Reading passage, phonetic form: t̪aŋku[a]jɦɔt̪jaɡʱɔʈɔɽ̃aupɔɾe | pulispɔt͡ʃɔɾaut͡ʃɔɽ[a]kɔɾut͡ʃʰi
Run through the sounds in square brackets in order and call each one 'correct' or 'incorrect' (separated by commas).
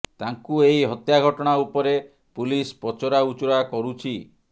incorrect, correct